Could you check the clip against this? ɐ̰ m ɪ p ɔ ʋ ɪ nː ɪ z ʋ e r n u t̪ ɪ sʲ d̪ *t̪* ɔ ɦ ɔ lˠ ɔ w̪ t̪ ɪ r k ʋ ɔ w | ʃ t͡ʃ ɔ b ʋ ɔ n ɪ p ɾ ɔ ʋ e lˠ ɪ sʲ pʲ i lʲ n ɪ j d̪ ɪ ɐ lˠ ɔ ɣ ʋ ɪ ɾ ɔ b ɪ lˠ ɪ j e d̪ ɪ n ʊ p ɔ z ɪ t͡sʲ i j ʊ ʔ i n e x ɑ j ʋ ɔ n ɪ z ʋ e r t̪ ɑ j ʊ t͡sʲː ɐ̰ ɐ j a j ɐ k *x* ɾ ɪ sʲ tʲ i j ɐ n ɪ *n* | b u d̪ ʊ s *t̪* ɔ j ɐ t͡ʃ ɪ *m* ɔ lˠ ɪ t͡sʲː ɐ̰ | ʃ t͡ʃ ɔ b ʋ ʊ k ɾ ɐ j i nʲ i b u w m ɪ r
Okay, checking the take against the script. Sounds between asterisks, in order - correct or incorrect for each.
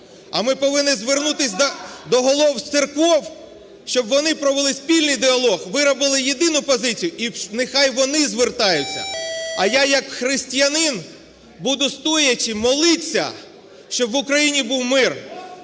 incorrect, correct, correct, correct, correct

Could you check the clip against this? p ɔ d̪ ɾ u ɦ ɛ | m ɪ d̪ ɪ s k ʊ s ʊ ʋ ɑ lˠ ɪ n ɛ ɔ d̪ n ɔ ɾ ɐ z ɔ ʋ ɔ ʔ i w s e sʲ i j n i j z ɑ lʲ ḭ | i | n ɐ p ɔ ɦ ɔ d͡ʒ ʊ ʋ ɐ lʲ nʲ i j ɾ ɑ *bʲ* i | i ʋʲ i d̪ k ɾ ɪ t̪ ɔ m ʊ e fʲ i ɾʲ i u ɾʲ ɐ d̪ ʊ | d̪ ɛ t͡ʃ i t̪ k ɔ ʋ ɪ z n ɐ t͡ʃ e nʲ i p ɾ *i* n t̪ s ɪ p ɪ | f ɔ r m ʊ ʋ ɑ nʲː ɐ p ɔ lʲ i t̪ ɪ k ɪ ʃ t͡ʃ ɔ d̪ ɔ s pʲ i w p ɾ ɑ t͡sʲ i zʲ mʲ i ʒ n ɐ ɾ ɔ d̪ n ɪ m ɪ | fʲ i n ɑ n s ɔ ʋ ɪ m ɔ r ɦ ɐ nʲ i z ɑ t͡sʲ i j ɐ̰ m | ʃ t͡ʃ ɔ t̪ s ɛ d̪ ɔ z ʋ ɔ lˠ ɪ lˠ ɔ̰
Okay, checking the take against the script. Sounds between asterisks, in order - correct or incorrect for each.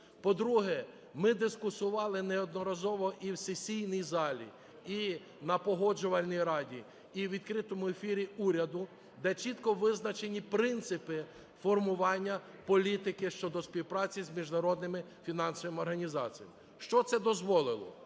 incorrect, incorrect

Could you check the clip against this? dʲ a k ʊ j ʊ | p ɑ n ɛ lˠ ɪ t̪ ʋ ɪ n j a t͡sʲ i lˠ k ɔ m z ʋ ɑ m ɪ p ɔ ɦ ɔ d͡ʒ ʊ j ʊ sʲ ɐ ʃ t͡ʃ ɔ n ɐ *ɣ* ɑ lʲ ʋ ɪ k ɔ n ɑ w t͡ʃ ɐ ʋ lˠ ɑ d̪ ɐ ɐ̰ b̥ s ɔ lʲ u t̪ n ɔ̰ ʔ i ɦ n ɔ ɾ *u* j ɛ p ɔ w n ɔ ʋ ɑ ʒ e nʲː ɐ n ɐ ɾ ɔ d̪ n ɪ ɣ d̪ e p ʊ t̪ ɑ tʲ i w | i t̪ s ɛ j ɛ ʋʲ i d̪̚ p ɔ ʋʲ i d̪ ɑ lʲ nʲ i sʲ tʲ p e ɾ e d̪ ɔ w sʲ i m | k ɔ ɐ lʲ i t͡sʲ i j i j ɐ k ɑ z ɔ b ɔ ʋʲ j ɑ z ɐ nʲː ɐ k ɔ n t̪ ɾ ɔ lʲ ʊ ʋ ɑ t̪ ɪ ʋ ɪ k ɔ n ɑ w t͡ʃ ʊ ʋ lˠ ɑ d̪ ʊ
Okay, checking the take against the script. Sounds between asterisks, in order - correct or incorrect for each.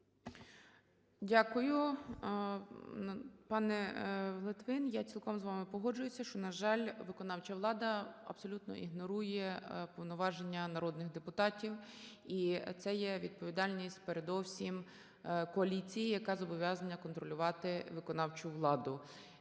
incorrect, correct

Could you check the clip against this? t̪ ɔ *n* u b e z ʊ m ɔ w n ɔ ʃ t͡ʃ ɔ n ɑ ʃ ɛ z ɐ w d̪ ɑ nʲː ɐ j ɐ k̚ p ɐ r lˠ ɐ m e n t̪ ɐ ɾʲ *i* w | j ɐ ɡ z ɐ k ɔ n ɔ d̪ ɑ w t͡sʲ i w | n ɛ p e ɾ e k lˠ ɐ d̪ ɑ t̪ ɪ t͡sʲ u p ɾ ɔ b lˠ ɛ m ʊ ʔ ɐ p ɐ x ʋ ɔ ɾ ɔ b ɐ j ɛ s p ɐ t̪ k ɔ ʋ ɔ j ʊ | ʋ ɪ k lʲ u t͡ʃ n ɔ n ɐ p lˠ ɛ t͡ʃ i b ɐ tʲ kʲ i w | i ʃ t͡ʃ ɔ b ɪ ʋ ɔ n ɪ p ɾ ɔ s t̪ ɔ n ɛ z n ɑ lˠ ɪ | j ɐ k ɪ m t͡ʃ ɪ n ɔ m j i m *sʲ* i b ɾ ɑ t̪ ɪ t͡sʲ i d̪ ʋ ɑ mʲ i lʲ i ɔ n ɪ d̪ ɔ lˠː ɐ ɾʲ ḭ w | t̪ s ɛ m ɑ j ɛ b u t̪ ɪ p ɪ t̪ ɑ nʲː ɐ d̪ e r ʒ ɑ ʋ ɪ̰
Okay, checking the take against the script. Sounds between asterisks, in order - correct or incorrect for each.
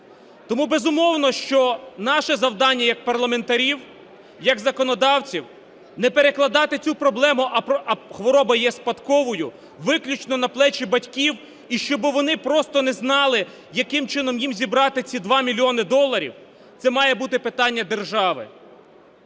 incorrect, correct, incorrect

